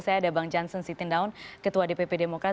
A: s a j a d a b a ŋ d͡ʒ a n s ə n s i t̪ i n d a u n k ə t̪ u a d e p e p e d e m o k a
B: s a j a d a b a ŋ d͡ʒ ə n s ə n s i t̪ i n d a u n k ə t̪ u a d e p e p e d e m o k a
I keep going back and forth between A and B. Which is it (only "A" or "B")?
A